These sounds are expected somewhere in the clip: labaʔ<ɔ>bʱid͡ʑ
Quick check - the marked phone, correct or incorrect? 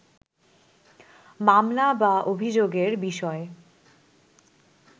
incorrect: o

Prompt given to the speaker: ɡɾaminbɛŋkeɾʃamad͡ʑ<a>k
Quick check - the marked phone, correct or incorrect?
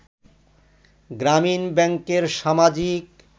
incorrect: i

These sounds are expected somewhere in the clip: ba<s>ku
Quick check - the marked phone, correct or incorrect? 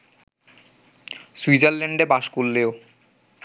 incorrect: ʃ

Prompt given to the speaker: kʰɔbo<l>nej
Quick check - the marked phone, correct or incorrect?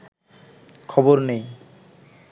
incorrect: ɾ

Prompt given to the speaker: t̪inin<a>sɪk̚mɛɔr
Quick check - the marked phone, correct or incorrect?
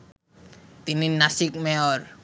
correct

